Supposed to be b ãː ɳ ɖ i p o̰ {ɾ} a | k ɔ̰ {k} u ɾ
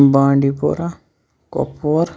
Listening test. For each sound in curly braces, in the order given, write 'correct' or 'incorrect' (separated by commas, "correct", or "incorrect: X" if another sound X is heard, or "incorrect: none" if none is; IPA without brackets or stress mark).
correct, incorrect: p